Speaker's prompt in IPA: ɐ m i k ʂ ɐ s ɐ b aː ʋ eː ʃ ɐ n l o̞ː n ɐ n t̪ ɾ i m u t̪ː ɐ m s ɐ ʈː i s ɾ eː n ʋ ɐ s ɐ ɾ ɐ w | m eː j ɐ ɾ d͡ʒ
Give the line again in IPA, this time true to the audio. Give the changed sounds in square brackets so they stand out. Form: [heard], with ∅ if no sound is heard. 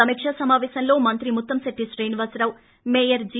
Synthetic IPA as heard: ɐ m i k ʂ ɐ s ɐ [m] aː ʋ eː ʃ ɐ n l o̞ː [m] ɐ n t̪ ɾ i m u t̪ː ɐ m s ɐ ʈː i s ɾ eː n ʋ ɐ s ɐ ɾ ɐ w | m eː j ɐ ɾ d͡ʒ